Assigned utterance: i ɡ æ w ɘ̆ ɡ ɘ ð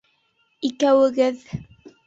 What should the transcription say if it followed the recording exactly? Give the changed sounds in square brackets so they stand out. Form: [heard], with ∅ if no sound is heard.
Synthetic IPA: i [k] æ w ɘ̆ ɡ ɘ ð